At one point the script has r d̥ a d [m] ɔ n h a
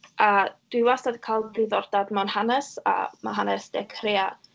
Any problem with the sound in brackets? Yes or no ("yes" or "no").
no